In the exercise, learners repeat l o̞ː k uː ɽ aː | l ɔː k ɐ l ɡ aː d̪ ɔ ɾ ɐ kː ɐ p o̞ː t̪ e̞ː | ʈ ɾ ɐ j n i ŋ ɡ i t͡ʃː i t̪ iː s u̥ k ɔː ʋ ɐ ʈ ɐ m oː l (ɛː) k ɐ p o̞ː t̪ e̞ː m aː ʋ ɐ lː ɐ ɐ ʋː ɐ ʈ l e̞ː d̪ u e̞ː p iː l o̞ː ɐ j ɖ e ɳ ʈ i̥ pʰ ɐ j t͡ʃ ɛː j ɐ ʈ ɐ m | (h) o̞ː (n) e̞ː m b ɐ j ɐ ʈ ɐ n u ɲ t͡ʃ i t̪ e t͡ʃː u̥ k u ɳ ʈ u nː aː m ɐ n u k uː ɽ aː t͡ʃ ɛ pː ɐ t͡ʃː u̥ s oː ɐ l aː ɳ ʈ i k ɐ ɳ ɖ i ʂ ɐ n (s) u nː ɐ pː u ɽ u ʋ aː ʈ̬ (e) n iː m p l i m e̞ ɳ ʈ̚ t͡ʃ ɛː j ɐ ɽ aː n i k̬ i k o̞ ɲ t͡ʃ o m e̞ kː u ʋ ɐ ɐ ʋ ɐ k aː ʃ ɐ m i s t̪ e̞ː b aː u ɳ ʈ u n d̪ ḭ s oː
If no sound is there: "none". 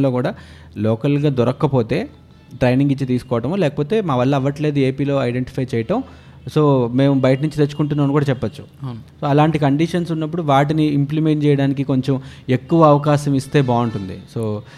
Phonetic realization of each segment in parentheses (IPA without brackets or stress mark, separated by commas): ɛː, s, m, s, i